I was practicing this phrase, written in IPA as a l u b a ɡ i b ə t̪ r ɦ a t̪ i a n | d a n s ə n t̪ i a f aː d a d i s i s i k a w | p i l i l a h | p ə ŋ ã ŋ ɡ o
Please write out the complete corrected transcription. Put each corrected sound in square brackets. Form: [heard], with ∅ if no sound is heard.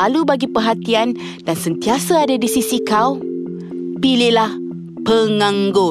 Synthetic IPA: a l u b a ɡ i [p] ə [∅] r ɦ a t̪ i a n | d a n s ə n t̪ i a [s] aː d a d i s i s i k a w | p i l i l a h | p ə ŋ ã ŋ ɡ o